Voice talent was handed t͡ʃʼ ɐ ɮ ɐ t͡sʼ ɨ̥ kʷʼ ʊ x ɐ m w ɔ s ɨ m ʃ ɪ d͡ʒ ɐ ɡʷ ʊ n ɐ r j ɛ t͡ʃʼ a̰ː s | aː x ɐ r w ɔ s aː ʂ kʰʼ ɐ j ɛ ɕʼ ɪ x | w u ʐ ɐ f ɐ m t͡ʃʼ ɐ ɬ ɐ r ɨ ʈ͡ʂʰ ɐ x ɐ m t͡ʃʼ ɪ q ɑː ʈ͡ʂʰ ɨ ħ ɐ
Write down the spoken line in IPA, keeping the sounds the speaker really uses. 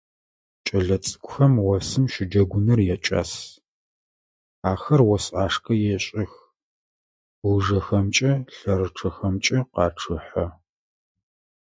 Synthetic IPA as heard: t͡ʃʼ ɐ ɮ ɐ t͡sʼ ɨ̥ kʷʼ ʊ x ɐ m w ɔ s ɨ m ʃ ɪ d͡ʒ ɐ ɡʷ ʊ n ɐ r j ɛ t͡ʃʼ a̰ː s | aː x ɐ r w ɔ s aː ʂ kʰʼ ɐ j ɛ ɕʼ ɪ x | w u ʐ ɐ x ɐ m t͡ʃʼ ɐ ɬ ɐ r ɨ ʈ͡ʂʰ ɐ x ɐ m t͡ʃʼ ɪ q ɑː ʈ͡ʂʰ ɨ ħ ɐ